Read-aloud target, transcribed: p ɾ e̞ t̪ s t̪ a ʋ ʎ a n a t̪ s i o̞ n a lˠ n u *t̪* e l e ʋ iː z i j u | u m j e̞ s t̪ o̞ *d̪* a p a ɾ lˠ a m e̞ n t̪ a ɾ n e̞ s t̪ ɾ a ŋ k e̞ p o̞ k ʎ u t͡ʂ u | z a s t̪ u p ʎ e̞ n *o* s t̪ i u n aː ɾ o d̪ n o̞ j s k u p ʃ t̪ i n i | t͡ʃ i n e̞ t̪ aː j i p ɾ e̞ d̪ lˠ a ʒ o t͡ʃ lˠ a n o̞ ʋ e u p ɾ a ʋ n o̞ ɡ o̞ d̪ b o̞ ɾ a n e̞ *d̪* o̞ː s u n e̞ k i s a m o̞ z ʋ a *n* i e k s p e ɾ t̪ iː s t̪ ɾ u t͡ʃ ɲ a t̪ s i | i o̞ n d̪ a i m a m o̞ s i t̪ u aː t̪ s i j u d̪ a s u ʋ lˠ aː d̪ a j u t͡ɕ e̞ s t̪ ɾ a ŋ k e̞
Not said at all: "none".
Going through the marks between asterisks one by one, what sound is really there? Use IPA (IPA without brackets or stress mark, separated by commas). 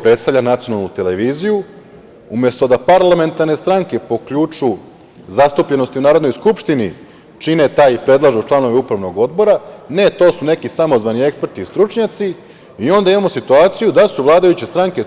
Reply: t̪, d̪, o, t̪, n